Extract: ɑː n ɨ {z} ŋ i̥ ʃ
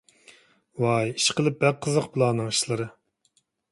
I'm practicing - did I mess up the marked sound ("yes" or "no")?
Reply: yes